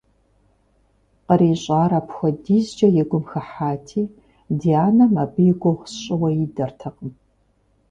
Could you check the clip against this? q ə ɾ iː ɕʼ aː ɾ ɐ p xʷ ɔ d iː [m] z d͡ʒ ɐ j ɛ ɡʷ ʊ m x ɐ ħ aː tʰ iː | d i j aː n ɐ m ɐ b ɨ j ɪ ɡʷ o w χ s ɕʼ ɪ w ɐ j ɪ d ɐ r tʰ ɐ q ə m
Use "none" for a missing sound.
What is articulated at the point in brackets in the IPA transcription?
none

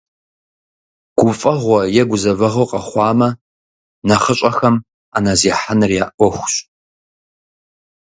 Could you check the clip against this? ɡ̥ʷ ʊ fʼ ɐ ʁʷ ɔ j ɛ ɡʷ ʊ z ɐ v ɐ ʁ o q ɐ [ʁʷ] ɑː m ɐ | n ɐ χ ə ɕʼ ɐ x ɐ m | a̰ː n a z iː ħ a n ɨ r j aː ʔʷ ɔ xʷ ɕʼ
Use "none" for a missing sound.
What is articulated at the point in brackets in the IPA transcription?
χʷ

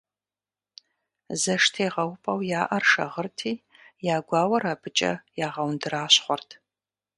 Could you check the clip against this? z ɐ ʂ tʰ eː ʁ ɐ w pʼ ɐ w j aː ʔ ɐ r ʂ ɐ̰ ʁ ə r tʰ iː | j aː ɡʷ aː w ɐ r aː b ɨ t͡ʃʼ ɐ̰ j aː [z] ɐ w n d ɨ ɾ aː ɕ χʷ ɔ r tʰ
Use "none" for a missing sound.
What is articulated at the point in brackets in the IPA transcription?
ʁ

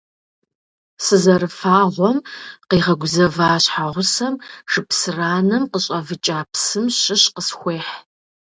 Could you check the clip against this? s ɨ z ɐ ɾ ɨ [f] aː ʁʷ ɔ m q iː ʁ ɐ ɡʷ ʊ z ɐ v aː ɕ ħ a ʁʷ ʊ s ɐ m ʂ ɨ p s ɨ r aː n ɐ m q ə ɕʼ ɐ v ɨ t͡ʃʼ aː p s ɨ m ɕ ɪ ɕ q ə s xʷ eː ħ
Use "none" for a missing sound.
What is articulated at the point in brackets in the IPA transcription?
f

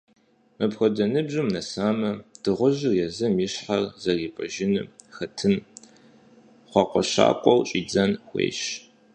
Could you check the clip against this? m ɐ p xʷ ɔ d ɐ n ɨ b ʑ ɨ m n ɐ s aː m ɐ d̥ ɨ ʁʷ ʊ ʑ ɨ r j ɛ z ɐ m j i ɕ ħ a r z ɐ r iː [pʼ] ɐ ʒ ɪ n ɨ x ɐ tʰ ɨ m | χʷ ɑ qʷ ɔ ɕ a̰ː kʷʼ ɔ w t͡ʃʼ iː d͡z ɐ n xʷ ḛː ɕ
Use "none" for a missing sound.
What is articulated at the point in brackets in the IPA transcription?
pʼ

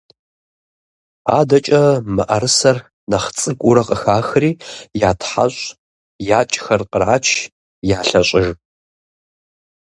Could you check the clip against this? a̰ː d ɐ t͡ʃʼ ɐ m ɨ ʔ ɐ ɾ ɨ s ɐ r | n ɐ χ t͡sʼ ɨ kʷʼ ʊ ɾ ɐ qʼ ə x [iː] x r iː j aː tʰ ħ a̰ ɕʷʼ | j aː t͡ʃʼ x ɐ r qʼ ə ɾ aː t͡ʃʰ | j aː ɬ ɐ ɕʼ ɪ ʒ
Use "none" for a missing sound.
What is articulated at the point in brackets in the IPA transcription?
aː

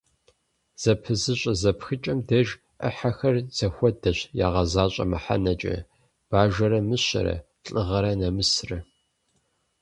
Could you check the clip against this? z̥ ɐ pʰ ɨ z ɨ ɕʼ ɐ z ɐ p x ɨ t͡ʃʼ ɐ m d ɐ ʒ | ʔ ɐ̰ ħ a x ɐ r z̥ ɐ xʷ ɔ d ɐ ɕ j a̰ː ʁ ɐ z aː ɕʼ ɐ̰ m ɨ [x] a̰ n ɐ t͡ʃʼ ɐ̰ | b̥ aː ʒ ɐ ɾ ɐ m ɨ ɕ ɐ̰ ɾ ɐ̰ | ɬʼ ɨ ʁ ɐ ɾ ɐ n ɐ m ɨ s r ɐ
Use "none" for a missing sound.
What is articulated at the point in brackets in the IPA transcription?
ħ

